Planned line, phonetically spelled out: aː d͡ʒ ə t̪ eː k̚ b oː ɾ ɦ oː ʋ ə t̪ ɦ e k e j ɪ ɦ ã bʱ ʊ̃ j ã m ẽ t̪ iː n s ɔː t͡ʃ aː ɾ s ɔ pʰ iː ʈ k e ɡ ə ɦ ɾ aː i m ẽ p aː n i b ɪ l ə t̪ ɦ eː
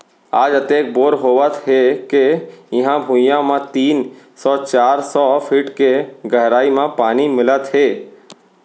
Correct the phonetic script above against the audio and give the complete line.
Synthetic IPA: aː d͡ʒ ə t̪ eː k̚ b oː ɾ ɦ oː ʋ ə t̪ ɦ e k e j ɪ ɦ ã bʱ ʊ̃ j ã m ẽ t̪ iː n s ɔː t͡ʃ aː ɾ s ɔ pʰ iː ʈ k e ɡ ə ɦ ɾ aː i m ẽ p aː n i m ɪ l ə t̪ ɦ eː